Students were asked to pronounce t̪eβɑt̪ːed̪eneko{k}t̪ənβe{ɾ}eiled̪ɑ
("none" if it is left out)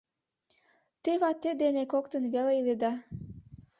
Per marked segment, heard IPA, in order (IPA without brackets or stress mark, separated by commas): k, l